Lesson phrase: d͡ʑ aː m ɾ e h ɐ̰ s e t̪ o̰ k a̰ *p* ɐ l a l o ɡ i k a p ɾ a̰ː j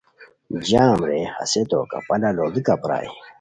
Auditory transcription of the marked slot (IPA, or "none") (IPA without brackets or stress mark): p